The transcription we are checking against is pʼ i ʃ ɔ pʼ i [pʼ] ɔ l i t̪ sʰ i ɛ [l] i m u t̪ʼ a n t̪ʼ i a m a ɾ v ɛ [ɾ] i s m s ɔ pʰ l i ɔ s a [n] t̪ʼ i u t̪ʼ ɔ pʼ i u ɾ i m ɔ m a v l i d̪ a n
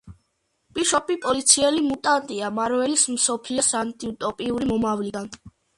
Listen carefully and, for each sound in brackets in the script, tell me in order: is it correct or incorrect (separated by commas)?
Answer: correct, correct, incorrect, correct